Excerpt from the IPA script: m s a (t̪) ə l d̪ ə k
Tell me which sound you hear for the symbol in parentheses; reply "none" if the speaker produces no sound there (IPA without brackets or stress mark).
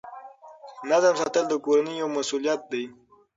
t̪